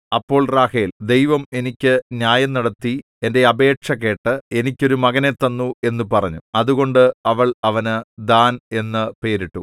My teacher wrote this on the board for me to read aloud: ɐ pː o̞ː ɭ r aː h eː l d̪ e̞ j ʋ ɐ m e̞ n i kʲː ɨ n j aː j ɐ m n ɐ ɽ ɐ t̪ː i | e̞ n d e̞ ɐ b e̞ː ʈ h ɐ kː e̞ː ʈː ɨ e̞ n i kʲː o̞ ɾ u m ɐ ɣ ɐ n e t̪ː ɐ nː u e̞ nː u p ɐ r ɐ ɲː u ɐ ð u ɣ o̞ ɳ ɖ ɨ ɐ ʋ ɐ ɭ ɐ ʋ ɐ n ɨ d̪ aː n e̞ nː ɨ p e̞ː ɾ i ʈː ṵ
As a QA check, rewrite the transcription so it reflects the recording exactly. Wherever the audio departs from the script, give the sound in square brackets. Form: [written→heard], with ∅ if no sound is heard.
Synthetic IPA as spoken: ɐ pː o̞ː ɭ r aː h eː l d̪ e̞ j ʋ ɐ m e̞ n i kʲː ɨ n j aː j ɐ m n ɐ ɽ ɐ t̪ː i | e̞ n d e̞ ɐ b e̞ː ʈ [h→ʂ] ɐ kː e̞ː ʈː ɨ e̞ n i kʲː o̞ ɾ u m ɐ ɣ ɐ n e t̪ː ɐ nː u e̞ nː u p ɐ r ɐ ɲː u ɐ ð u ɣ o̞ ɳ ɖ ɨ ɐ ʋ ɐ ɭ ɐ ʋ ɐ n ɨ d̪ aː n e̞ nː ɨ p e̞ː ɾ i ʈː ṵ

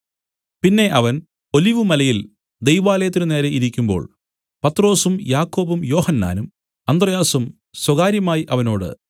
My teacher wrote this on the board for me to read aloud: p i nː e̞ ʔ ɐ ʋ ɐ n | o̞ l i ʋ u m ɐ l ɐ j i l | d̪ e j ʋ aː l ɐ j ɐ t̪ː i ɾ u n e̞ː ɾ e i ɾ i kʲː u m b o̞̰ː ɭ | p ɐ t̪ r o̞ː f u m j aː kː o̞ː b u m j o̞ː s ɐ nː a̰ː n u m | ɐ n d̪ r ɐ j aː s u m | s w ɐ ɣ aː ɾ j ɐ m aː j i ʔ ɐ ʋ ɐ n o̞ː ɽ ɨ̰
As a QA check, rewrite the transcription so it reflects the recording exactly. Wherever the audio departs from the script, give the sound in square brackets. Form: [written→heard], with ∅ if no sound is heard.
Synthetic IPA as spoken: p i nː e̞ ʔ ɐ ʋ ɐ n | o̞ l i ʋ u m ɐ l ɐ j i l | d̪ e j ʋ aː l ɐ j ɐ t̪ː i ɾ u n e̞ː ɾ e i ɾ i kʲː u m b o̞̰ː ɭ | p ɐ t̪ r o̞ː [f→s] u m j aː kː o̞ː b u m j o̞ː [s→h] ɐ nː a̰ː n u m | ɐ n d̪ r ɐ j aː s u m | s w ɐ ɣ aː ɾ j ɐ m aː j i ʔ ɐ ʋ ɐ n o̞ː ɽ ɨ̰

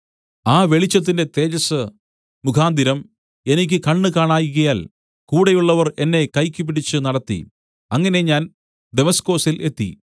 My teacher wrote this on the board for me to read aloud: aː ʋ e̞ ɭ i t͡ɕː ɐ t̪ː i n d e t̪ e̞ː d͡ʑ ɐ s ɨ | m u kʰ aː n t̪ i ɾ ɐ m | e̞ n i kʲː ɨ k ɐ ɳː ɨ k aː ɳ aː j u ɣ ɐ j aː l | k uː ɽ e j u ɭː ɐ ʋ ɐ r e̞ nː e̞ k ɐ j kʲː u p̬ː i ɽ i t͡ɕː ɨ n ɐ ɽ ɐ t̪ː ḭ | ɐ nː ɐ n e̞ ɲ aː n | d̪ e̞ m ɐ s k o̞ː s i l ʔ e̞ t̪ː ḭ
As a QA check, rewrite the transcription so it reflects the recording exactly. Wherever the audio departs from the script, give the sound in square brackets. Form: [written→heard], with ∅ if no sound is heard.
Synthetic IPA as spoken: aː ʋ e̞ ɭ i t͡ɕː ɐ t̪ː i n d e t̪ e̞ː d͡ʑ ɐ s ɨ | m u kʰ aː n [t̪→d̪] i ɾ ɐ m | e̞ n i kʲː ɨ k ɐ ɳː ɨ k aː ɳ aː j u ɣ ɐ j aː l | k uː ɽ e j u ɭː ɐ ʋ ɐ r e̞ nː e̞ k ɐ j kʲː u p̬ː i ɽ i t͡ɕː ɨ n ɐ ɽ ɐ t̪ː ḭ | ɐ [nː→ŋː] ɐ n e̞ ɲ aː n | d̪ e̞ m ɐ s k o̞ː s i l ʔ e̞ t̪ː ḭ

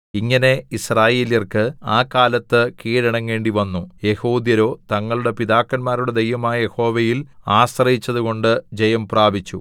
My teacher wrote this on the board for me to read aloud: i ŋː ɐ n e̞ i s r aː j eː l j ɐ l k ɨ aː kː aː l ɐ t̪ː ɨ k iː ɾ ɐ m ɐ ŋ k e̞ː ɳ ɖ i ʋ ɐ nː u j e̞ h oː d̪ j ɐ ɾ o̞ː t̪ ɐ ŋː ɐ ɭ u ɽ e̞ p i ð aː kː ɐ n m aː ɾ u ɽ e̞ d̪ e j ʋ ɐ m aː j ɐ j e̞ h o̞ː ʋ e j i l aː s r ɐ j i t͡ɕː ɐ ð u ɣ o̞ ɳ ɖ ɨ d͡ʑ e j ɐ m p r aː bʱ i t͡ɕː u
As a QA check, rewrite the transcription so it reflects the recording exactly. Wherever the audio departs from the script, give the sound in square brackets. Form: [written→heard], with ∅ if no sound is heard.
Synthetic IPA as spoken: i ŋː ɐ n e̞ i s r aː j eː l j ɐ [l→r] k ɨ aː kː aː l ɐ t̪ː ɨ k iː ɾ ɐ [m→ɳ] ɐ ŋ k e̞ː ɳ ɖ i ʋ ɐ nː u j e̞ h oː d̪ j ɐ ɾ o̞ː t̪ ɐ ŋː ɐ ɭ u ɽ e̞ p i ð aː kː ɐ n m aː ɾ u ɽ e̞ d̪ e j ʋ ɐ m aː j ɐ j e̞ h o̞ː ʋ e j i l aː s r ɐ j i t͡ɕː ɐ ð u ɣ o̞ ɳ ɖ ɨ d͡ʑ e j ɐ m p r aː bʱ i t͡ɕː u

